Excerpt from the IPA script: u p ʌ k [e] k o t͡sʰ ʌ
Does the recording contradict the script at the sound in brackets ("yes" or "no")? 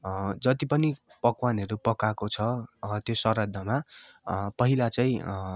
yes